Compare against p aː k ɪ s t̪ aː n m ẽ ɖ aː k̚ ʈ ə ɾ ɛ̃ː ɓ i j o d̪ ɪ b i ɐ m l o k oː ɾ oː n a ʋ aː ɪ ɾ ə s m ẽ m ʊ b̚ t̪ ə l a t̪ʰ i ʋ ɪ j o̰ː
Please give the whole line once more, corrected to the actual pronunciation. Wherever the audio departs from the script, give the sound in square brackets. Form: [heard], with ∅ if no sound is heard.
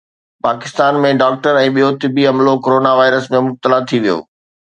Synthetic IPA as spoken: p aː k ɪ s t̪ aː n m ẽ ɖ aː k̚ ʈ ə ɾ ɛ̃ː ɓ i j o [t̪] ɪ b i ɐ m l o k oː ɾ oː n a ʋ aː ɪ ɾ ə s m ẽ m ʊ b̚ t̪ ə l a t̪ʰ i ʋ [i] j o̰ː